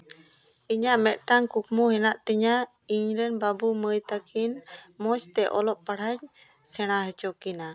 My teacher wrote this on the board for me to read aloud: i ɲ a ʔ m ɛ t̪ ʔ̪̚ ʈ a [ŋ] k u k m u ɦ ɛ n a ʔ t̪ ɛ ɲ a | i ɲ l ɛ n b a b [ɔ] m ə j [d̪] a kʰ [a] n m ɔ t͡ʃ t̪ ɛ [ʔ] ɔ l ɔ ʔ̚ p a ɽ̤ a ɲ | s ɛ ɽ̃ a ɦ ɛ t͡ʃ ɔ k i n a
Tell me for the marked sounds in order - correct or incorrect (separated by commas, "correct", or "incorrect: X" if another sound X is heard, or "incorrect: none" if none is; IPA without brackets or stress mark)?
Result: correct, incorrect: u, incorrect: t̪, incorrect: i, correct